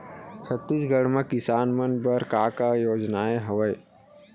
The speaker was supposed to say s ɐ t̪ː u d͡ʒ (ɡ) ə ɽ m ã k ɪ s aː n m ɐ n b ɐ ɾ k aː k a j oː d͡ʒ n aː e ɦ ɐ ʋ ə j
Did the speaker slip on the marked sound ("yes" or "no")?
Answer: no